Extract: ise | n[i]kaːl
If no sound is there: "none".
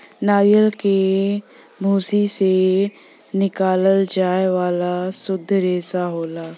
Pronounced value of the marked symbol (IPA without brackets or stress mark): ɪ